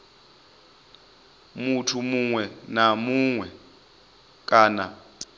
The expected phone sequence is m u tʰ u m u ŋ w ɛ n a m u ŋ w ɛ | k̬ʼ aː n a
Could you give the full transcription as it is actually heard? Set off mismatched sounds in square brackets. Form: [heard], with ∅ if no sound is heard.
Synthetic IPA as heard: m u tʰ u m u ŋ w ɛ n a m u ŋ w ɛ | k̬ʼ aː n a